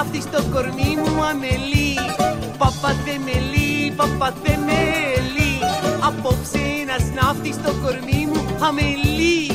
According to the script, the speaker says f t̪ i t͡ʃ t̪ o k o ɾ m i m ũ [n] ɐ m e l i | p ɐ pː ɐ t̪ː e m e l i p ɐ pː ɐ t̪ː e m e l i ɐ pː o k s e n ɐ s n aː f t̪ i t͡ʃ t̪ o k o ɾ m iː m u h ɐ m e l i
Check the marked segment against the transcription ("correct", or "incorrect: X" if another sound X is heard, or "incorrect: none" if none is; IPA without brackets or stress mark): incorrect: none